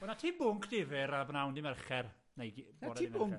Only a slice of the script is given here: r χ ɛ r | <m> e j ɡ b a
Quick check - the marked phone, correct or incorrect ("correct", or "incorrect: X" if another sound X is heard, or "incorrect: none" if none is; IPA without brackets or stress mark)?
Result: incorrect: n